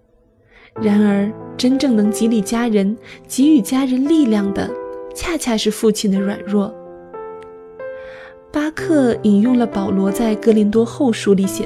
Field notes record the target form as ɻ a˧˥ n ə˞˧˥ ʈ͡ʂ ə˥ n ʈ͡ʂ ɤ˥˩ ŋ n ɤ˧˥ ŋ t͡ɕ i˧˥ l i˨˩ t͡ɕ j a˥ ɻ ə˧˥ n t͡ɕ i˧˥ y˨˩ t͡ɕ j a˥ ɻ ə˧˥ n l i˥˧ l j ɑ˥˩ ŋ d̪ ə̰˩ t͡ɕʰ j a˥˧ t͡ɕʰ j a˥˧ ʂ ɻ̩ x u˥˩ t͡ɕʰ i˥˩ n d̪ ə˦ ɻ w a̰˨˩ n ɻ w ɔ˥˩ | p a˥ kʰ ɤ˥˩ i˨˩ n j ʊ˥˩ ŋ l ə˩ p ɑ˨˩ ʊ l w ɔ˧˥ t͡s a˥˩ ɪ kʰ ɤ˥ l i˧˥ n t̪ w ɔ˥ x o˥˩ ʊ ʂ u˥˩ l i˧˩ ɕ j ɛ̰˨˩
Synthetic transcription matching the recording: ɻ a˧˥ n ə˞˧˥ ʈ͡ʂ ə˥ n ʈ͡ʂ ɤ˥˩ ŋ n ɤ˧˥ ŋ t͡ɕ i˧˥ l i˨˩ t͡ɕ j a˥ ɻ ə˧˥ n t͡ɕ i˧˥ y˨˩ t͡ɕ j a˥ ɻ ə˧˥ n l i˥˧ l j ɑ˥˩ ŋ d̪ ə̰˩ t͡ɕʰ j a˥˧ t͡ɕʰ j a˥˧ ʂ ɻ̩ f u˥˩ t͡ɕʰ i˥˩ n d̪ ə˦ ɻ w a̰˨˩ n ɻ w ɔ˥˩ | p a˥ kʰ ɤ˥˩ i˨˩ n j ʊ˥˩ ŋ l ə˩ p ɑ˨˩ ʊ l w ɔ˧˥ t͡s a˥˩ ɪ k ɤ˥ l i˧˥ n t̪ w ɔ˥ x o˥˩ ʊ ʂ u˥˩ l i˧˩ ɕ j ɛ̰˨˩